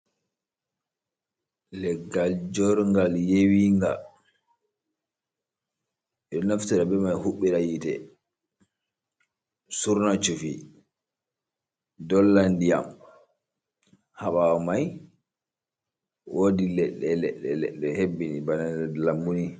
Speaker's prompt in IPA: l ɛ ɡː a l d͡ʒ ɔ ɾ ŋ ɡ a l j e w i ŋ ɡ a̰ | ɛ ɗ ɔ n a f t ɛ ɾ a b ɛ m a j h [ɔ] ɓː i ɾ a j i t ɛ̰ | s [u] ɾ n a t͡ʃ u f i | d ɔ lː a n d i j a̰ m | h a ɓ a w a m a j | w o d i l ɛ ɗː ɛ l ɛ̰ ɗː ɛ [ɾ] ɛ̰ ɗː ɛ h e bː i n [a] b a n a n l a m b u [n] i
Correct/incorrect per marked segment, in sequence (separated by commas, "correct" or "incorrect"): incorrect, correct, incorrect, incorrect, correct